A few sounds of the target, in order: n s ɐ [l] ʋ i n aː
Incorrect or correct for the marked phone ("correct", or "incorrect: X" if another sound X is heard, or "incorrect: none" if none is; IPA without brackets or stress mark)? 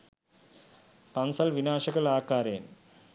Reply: correct